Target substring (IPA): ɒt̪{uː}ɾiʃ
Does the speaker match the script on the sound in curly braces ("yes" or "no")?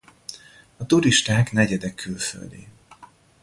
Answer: no